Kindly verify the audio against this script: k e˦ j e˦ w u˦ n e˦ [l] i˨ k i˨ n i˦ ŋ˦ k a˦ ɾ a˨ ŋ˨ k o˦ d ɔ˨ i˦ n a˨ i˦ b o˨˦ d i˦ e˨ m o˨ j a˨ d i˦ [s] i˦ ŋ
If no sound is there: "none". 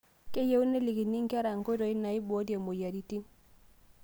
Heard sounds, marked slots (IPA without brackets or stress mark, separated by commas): l, t